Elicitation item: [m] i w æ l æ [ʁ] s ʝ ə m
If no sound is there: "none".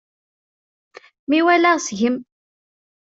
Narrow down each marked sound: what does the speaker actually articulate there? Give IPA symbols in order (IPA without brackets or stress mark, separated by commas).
m, ʁ